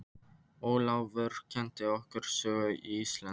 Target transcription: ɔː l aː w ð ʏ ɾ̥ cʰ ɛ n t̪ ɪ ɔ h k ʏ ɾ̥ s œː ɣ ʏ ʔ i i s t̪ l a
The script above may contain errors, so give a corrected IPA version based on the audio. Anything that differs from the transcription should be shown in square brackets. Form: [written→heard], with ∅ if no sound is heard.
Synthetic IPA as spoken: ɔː l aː w [ð→v] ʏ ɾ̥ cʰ ɛ n t̪ ɪ ɔ h k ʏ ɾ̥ s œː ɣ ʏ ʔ i i s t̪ l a

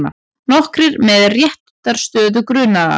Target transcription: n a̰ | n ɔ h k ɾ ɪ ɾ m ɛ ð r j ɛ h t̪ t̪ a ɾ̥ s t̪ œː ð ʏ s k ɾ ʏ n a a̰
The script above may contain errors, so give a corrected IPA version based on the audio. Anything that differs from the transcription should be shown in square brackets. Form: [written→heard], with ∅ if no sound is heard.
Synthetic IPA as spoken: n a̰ | n ɔ h k ɾ ɪ ɾ m ɛ ð r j ɛ h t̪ t̪ a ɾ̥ s t̪ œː ð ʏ [s→∅] k ɾ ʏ n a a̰

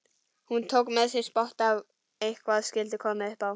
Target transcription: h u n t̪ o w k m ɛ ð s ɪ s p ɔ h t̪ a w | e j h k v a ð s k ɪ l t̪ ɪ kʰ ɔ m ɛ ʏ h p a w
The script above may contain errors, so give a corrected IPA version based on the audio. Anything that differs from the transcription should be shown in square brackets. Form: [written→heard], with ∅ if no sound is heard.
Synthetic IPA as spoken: h u n [t̪→t̪ʰ] o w k m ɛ ð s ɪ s p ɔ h t̪ a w | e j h k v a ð s k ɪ l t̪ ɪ kʰ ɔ m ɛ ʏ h p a w

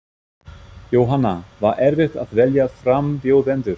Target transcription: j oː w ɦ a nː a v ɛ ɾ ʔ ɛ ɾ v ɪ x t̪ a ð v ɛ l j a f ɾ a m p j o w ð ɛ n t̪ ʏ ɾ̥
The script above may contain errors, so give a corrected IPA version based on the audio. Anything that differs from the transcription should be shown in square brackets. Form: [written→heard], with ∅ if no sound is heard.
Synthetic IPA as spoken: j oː w ɦ a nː a v [ɛ→a] ɾ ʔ ɛ ɾ v ɪ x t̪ a ð v ɛ l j a f ɾ a m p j o w ð ɛ n t̪ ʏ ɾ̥

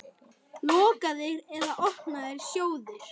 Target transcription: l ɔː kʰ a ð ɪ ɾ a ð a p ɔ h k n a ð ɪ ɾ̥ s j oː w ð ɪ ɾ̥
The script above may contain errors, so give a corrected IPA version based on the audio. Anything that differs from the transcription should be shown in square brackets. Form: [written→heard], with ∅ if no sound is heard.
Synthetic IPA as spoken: l ɔː [kʰ→k] a ð ɪ ɾ [a→ɛ] ð a [p→ʔ] ɔ h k n a ð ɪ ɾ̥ s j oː w ð ɪ ɾ̥

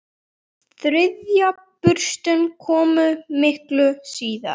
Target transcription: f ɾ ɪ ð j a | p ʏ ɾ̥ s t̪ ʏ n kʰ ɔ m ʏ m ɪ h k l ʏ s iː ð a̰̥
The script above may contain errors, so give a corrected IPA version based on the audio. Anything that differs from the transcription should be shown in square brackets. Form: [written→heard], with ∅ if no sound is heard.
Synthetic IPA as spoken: [f→θ] ɾ ɪ ð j a | p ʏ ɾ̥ s t̪ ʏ n kʰ [ɔ→ɔː] m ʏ m ɪ h k l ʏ s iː ð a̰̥

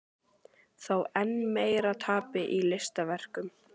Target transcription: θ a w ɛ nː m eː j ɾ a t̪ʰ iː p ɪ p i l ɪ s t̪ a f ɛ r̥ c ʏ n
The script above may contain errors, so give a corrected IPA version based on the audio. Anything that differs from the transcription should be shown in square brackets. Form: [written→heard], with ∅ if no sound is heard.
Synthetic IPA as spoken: θ a w ɛ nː m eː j ɾ a t̪ʰ [iː→aː] p ɪ [p→ʔ] i l ɪ s t̪ a [f→v] ɛ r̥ [c→k] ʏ [n→m]

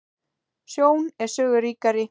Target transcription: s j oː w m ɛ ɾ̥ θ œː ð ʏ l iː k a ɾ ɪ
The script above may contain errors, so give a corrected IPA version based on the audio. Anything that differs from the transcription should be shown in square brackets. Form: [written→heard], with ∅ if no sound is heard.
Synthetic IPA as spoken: s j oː w [m→n] ɛ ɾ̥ [θ→s] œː [ð→ɣ] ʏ [l→ɾ] iː k a ɾ ɪ

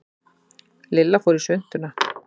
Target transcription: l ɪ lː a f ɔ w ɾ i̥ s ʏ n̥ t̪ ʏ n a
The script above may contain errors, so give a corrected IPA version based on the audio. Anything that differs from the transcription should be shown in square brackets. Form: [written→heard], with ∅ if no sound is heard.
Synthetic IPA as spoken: l ɪ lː a f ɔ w ɾ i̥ s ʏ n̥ t̪ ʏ n a

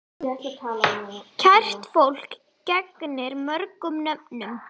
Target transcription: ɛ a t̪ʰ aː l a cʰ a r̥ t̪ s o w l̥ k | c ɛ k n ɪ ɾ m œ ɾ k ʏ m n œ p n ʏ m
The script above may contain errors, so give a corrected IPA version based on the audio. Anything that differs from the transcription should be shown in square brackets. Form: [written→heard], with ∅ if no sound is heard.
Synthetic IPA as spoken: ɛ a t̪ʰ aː l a cʰ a r̥ t̪ [s→f] o w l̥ k | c ɛ k n ɪ ɾ m œ ɾ k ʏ m n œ p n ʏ m

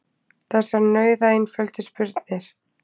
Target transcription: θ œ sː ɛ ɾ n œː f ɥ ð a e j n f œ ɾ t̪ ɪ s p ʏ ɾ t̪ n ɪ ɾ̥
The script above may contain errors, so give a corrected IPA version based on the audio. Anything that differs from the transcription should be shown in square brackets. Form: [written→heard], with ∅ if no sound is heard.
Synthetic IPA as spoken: θ [œ→ɛ] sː [ɛ→a] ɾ n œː [f→∅] ɥ ð a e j n f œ [ɾ→l] t̪ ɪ s p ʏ ɾ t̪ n ɪ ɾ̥

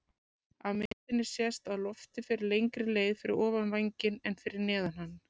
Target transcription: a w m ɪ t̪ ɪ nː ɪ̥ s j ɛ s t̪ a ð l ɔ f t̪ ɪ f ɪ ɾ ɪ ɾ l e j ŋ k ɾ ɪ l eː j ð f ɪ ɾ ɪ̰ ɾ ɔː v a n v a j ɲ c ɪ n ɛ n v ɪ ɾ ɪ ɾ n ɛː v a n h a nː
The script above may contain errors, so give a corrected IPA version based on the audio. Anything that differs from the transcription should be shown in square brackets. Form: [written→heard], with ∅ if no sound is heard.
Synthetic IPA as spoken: a w m ɪ t̪ ɪ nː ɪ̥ s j ɛ s t̪ a ð l ɔ f t̪ ɪ f ɪ ɾ ɪ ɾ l e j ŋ k ɾ ɪ l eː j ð f ɪ ɾ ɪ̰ ɾ ɔː v a n v a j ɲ c ɪ n ɛ n [v→f] ɪ ɾ ɪ ɾ n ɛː [v→ð] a n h a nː

